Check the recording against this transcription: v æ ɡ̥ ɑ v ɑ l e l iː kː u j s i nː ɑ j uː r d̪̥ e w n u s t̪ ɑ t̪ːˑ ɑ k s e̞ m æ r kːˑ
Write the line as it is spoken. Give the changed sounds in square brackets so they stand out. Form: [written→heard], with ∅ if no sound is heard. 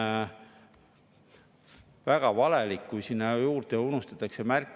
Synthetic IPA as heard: v æ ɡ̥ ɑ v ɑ l e l [iː→i] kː u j s i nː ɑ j uː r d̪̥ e [w→u] n u s t̪ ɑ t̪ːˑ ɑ k s e̞ m æ r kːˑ